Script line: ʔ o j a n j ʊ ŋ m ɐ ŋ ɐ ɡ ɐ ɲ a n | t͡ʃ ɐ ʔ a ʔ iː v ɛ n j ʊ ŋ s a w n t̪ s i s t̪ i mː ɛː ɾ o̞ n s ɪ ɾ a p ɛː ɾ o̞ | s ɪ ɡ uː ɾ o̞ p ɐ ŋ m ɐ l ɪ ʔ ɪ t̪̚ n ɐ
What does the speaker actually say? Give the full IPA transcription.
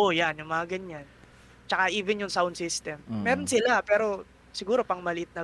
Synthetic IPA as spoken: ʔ o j a n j ʊ ŋ m ɐ ŋ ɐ ɡ ɐ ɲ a n | t͡ʃ ɐ k a ʔ iː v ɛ n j ʊ ŋ s a w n d̪ s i s t̪ ɛ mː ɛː ɾ o̞ n s ɪ l a p ɛː ɾ o̞ | s ɪ ɡ uː ɾ o̞ p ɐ ŋ m ɐ l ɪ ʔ ɪ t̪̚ n ɐ